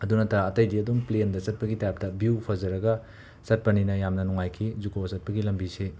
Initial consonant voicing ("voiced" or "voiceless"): voiced